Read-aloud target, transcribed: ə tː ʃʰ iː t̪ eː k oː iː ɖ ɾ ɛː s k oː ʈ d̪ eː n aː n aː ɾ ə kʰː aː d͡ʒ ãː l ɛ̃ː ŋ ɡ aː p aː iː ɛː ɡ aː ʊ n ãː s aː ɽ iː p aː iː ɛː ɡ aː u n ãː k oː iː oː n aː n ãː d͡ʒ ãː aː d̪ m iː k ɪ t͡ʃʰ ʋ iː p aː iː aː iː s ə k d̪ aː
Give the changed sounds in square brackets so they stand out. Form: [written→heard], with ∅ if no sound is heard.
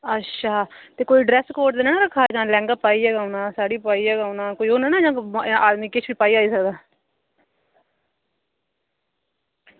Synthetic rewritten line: ə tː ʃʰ [iː→aː] t̪ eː k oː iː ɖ ɾ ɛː s k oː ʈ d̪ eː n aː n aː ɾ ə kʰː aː d͡ʒ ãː l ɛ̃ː ŋ ɡ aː p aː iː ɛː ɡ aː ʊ n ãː s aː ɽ iː p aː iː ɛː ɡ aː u n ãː k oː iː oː n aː n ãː d͡ʒ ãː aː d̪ m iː k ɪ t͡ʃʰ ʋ iː p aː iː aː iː s ə k d̪ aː